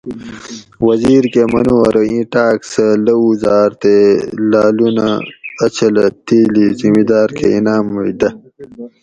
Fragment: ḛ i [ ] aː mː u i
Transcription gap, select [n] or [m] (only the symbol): n